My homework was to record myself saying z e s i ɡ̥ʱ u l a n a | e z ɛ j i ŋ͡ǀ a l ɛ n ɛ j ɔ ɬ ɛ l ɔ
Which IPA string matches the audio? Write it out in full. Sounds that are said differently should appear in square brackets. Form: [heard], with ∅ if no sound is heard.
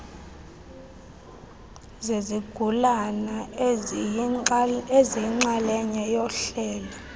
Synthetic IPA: z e [z] i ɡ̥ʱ u l a n a | e z [i] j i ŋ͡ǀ a l ɛ [ɲ] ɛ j ɔ ɬ [ɛː] l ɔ